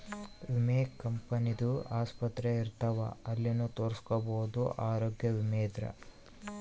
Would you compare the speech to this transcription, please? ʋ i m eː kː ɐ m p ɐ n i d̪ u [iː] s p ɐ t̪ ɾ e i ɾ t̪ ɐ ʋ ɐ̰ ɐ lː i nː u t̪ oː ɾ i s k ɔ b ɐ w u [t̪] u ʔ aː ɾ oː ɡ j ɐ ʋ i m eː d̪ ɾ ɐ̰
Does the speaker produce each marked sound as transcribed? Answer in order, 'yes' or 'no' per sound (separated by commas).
no, no